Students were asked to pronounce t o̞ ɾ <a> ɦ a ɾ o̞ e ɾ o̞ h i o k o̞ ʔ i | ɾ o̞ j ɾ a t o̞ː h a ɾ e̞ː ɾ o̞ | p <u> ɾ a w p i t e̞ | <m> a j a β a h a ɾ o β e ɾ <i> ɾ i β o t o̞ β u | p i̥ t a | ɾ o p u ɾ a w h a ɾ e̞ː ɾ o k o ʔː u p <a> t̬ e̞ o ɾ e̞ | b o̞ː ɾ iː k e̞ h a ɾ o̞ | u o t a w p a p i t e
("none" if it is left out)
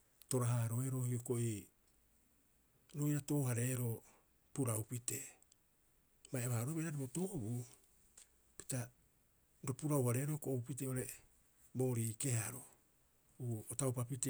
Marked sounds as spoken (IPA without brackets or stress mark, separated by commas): a, u, m, a, i